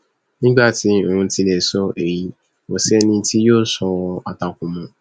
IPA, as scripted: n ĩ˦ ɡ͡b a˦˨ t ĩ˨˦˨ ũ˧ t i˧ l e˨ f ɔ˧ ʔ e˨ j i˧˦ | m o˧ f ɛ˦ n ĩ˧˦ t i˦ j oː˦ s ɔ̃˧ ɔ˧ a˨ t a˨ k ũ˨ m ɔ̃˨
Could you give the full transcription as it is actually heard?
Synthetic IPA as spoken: n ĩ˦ ɡ͡b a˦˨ t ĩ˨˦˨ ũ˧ t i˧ l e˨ s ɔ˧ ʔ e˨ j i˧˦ | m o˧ s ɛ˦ n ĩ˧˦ t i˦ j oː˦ s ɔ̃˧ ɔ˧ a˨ t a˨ k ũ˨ m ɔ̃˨